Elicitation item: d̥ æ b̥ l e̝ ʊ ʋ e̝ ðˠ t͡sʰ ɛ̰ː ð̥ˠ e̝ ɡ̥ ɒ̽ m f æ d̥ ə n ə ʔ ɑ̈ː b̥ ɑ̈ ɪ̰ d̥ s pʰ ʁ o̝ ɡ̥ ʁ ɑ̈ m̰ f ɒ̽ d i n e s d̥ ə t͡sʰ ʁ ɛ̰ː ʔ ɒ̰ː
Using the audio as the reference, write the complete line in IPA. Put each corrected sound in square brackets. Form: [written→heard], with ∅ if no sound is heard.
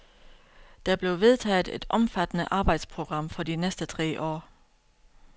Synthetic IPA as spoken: d̥ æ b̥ l e̝ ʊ ʋ e̝ ðˠ t͡sʰ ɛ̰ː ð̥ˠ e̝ [ɡ̥→d̥] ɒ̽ m f æ d̥ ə n ə ʔ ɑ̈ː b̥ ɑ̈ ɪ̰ d̥ s pʰ ʁ o̝ ɡ̥ ʁ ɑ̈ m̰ f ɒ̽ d i n e s d̥ ə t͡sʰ ʁ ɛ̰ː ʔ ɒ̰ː